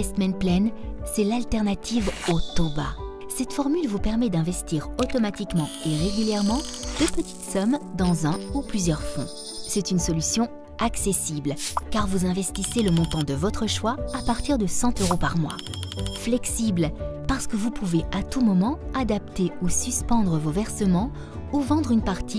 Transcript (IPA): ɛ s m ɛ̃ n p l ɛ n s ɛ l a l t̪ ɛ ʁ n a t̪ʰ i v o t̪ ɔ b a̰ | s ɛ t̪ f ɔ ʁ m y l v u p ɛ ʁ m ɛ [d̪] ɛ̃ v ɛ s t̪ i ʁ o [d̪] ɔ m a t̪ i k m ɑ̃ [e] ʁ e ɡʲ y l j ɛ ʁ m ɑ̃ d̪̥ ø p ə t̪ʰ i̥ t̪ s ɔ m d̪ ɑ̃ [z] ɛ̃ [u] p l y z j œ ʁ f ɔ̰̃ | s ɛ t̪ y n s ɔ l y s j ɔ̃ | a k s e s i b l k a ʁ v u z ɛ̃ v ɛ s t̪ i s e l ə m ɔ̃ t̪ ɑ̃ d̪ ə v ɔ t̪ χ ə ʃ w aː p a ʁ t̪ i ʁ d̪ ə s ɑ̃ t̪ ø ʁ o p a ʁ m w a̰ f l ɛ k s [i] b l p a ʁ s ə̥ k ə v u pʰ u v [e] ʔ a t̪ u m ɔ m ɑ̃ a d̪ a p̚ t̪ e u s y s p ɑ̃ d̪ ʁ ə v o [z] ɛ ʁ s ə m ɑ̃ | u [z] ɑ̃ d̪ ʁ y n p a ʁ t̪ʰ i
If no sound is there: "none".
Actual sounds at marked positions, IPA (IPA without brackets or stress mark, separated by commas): d̪, t̪, e, z, u, i, e, v, v